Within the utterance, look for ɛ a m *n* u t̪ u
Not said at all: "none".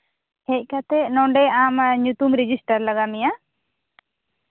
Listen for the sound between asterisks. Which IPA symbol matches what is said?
ɲ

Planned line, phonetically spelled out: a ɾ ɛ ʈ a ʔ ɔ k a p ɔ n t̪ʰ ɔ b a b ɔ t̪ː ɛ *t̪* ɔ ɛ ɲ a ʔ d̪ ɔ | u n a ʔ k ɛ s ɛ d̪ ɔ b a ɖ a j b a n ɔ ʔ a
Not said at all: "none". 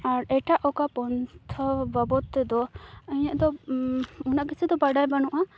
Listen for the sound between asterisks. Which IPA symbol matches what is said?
d̪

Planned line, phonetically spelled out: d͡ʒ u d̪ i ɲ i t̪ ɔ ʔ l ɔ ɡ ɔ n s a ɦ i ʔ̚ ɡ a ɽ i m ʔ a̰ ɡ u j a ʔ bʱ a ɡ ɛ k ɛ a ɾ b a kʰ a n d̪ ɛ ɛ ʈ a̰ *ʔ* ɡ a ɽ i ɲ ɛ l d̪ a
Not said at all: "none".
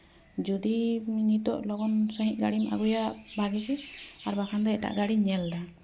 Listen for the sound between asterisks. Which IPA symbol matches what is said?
ʔ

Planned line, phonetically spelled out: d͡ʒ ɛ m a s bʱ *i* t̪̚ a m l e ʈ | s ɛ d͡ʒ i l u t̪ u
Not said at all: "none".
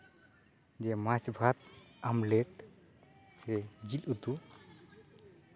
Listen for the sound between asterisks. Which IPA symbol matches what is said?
a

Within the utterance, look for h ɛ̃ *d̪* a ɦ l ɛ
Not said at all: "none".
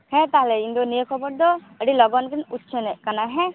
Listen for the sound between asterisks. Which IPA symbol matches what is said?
t̪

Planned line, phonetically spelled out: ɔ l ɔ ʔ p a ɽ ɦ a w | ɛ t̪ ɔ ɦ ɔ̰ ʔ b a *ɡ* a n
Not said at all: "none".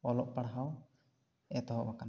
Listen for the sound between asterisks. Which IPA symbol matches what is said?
k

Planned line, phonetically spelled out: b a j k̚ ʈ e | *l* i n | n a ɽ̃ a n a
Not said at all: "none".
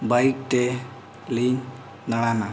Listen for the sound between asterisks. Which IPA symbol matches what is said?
l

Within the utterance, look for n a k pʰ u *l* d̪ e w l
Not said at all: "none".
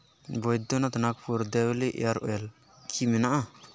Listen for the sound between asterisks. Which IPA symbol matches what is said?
ɾ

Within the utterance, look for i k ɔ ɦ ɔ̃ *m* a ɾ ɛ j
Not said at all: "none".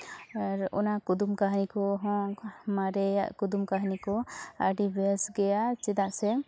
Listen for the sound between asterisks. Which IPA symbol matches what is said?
m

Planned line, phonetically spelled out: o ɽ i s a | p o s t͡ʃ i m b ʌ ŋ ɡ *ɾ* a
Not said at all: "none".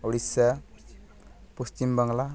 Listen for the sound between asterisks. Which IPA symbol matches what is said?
l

